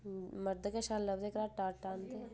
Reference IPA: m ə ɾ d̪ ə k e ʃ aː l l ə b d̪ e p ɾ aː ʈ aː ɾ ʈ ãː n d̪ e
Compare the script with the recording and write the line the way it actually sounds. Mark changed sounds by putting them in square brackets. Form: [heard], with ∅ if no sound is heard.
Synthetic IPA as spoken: m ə ɾ d̪ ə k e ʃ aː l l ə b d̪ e [k] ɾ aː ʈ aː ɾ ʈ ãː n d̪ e